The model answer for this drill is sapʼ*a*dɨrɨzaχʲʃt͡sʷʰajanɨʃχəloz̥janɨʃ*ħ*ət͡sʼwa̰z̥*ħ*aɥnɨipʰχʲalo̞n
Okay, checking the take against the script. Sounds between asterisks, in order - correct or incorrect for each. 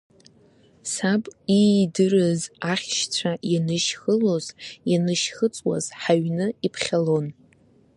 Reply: incorrect: i, incorrect: χ, correct

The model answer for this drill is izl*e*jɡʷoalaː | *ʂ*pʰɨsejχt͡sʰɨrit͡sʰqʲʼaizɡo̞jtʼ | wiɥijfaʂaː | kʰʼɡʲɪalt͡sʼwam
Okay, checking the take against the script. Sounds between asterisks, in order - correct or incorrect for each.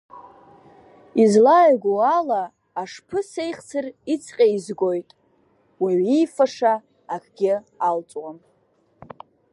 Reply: incorrect: a, correct

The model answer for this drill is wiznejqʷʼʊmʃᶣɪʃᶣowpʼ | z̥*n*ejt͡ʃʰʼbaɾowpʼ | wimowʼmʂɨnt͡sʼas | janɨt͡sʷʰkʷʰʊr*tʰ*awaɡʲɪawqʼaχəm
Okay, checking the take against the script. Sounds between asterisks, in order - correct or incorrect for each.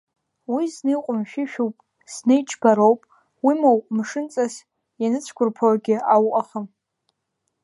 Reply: correct, incorrect: pʰ

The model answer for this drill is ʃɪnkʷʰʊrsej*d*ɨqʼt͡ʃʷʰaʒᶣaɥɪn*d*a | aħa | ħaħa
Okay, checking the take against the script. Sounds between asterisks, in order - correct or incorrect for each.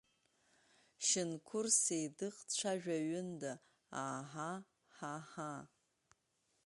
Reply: correct, correct

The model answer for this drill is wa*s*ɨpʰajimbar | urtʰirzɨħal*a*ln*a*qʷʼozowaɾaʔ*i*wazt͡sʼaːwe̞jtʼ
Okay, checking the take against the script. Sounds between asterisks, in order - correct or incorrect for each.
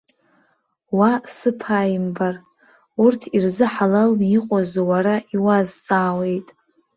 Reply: correct, correct, incorrect: i, correct

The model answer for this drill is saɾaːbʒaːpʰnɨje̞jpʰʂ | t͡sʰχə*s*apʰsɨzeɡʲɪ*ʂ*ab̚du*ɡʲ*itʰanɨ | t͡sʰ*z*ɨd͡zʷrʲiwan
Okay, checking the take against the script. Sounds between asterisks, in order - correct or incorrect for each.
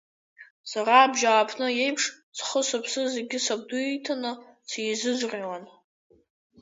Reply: correct, incorrect: s, incorrect: none, correct

